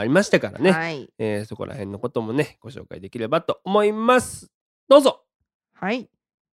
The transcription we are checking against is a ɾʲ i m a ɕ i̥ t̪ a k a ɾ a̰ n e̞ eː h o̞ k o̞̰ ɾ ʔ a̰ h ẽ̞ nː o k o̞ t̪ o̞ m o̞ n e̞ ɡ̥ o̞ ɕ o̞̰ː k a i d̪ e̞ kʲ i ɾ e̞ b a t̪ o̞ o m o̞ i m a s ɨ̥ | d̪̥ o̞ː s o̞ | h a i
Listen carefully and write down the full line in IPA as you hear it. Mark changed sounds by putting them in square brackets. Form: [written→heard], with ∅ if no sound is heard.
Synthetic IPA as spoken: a ɾʲ i m a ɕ i̥ t̪ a k a ɾ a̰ n e̞ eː [h→s] o̞ k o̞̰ ɾ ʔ a̰ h ẽ̞ nː o k o̞ t̪ o̞ m o̞ n e̞ ɡ̥ o̞ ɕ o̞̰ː k a i d̪ e̞ kʲ i ɾ e̞ b a t̪ o̞ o m o̞ i m a s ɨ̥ | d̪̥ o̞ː [s→z] o̞ | h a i